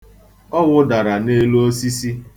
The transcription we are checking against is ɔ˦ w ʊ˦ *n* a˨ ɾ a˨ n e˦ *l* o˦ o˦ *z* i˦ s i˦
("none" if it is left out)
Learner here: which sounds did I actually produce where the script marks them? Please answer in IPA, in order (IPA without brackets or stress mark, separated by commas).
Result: d, l, s